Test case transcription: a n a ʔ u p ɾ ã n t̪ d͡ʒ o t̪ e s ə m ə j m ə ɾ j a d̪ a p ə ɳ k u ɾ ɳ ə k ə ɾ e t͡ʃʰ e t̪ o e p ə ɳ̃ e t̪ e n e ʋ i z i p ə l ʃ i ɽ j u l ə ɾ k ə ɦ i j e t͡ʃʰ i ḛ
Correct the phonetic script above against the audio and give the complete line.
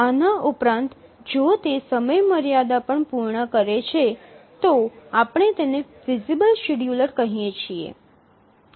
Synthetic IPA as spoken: a n a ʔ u p ɾ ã n t̪ d͡ʒ o t̪ e s ə m ə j m ə ɾ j a d̪ a p ə ɳ p u ɾ ɳ ə k ə ɾ e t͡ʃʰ e t̪ o a p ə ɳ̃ e t̪ e n e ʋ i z i b ə l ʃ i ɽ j u l ə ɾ k ə ɦ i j e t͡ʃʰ i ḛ